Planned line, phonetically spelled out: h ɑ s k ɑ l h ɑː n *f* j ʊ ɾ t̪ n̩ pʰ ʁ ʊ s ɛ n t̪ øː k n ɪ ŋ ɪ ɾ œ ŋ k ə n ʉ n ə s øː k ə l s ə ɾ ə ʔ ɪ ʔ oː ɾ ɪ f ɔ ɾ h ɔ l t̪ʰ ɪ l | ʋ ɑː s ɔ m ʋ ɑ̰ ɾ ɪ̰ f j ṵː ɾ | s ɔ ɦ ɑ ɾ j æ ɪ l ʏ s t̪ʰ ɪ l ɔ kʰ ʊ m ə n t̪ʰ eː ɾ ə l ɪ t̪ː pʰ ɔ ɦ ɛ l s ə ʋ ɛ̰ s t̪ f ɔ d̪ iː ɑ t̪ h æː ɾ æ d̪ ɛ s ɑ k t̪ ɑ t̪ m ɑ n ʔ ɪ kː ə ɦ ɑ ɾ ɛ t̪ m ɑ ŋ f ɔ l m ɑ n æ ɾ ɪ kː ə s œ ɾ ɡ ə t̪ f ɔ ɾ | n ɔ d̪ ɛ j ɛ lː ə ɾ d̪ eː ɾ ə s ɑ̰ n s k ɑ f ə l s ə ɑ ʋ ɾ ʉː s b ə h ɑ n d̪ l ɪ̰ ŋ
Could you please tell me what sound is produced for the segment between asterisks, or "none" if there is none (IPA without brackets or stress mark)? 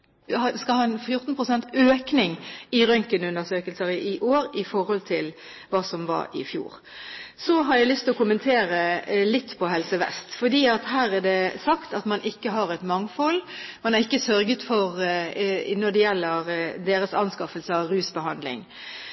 f